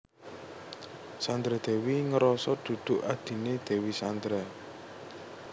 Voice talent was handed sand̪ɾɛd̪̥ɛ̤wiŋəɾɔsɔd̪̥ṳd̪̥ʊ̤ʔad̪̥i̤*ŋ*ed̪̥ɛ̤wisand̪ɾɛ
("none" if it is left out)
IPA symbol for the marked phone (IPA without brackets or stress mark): n